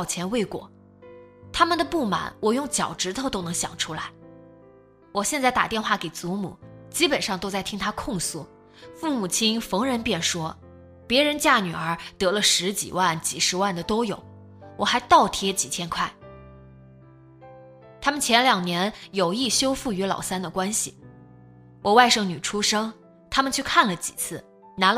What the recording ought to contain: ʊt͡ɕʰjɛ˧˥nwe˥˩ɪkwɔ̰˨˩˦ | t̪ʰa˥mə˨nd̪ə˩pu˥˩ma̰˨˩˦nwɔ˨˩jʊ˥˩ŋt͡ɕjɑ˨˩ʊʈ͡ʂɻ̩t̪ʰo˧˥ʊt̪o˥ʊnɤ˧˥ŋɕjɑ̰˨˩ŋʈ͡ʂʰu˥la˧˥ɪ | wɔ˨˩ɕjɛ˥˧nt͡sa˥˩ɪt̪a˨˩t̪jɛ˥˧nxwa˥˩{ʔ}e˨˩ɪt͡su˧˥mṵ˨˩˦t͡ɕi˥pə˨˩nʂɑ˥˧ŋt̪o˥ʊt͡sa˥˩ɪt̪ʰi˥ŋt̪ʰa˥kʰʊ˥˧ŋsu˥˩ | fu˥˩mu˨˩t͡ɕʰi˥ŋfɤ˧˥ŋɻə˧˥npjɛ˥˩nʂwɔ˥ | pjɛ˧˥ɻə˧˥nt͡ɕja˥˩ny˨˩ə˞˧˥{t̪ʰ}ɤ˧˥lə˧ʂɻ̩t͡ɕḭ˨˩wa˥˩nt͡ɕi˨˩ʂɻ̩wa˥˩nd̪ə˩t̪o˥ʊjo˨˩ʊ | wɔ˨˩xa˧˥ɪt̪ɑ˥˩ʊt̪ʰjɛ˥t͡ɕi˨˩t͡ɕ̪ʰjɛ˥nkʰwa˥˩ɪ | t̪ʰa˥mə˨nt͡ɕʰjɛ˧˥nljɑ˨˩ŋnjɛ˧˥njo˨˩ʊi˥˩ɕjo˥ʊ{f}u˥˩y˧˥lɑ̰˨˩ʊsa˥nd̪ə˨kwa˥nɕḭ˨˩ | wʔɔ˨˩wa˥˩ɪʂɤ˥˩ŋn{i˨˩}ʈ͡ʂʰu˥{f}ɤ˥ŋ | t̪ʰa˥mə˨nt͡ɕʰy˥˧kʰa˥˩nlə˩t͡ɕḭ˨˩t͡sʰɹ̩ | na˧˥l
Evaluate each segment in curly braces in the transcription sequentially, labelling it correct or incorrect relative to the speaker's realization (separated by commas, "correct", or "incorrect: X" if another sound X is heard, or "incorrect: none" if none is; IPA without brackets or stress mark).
incorrect: k, incorrect: t̪, correct, incorrect: y˨˩, incorrect: ʂ